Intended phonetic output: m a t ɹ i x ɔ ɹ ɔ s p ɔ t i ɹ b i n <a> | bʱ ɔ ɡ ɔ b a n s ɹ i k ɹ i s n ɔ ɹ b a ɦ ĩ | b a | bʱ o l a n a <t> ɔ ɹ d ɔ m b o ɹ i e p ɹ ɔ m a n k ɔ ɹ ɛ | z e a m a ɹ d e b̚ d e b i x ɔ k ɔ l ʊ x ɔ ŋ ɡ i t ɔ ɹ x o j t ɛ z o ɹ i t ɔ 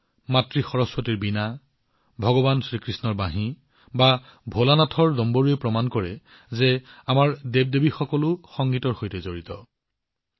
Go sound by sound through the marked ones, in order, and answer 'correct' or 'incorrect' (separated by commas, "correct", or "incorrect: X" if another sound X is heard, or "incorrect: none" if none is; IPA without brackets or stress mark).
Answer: correct, incorrect: tʰ